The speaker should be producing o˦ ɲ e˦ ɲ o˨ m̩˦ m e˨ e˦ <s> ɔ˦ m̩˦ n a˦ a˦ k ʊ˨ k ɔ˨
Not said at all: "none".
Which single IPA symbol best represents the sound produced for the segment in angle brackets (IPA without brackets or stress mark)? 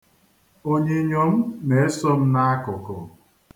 s